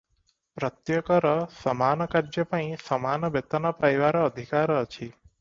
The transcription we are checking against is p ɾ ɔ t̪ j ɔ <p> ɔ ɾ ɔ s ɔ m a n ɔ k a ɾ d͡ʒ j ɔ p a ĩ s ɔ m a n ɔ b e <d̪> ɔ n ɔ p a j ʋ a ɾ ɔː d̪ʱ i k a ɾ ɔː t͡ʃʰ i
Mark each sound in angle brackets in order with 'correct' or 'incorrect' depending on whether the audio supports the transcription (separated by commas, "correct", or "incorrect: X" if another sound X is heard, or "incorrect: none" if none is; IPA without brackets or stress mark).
incorrect: k, incorrect: t̪